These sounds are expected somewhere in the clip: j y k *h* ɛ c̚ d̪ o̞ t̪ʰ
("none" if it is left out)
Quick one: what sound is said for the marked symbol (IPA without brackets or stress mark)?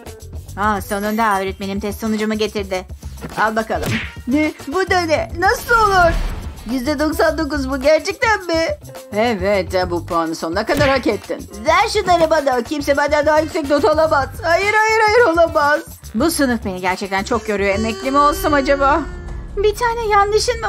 s